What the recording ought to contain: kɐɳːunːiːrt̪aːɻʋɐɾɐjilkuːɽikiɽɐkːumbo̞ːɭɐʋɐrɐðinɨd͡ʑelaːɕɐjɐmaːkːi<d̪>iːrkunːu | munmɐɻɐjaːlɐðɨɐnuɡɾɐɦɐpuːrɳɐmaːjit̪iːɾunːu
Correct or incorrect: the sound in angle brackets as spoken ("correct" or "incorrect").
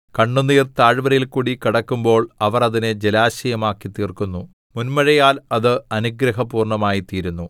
incorrect